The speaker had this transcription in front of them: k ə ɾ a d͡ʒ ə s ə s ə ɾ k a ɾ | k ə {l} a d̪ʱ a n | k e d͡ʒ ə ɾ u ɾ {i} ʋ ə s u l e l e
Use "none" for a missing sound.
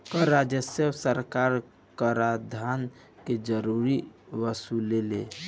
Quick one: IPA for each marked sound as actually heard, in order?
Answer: ɾ, i

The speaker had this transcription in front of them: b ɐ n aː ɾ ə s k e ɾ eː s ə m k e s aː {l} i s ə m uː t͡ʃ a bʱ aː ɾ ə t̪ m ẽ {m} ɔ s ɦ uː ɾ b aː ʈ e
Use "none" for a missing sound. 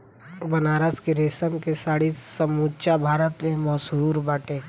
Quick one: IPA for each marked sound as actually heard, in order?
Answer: ɽ, m

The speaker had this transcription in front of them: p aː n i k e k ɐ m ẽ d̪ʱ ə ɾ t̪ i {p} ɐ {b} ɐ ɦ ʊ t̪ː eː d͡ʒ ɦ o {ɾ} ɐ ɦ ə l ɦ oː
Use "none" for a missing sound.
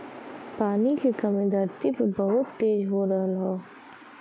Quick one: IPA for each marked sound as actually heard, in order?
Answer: p, b, ɾ

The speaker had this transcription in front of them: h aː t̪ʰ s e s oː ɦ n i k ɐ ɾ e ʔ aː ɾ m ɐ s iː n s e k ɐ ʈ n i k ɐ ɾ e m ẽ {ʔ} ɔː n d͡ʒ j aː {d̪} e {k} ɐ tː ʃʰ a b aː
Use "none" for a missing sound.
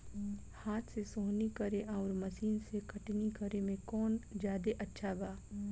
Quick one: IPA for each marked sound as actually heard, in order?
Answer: k, d̪, ʔ

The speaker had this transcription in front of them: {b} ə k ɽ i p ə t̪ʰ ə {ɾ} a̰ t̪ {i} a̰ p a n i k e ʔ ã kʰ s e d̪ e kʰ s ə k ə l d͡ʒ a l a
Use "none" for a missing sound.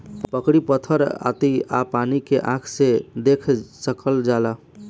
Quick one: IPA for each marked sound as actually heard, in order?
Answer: p, ɾ, i

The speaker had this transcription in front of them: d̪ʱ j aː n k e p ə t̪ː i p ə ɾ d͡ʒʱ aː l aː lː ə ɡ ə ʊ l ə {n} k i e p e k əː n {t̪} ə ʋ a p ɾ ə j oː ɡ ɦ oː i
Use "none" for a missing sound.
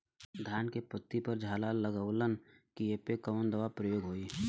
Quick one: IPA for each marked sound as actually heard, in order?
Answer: n, d̪

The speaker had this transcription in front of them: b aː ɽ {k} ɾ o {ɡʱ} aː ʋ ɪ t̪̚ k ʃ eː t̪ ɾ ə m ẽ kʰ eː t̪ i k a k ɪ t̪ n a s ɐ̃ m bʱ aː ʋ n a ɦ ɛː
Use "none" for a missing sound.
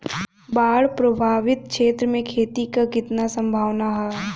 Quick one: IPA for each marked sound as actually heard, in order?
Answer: p, bʱ

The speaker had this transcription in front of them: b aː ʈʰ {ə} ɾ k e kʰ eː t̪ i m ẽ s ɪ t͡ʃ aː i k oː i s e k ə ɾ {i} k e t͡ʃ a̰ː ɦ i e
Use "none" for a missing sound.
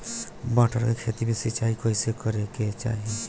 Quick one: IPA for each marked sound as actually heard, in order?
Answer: ə, e

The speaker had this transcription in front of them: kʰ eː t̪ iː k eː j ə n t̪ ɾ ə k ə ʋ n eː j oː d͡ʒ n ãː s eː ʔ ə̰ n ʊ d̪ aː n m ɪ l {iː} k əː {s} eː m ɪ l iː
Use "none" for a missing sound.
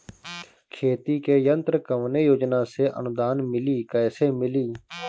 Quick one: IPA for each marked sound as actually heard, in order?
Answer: iː, s

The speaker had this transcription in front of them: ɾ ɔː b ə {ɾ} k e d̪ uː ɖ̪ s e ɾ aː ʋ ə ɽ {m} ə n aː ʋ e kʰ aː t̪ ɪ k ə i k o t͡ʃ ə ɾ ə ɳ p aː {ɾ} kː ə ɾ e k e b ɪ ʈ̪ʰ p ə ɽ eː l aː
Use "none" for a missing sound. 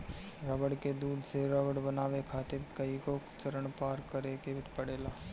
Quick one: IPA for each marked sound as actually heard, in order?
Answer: ɽ, b, ɾ

